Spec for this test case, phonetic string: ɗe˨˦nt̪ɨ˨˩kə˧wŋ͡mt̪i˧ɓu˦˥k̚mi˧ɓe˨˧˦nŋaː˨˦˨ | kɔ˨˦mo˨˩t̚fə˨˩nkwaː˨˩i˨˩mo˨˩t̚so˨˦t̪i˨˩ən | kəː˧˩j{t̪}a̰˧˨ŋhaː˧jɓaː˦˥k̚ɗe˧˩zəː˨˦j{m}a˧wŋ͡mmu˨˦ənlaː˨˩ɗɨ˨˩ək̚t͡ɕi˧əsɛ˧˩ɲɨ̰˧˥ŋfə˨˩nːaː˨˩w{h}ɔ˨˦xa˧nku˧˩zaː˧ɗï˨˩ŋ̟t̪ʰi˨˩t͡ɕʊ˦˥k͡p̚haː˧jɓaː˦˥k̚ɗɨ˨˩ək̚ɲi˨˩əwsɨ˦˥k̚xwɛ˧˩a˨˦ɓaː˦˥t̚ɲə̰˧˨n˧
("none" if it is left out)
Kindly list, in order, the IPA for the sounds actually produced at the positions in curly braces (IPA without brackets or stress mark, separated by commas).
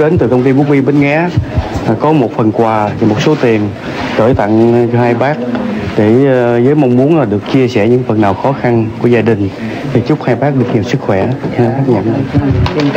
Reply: t̪, m, x